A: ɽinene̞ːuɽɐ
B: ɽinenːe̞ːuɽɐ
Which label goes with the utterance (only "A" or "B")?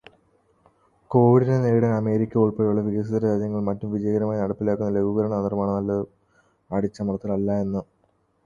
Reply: A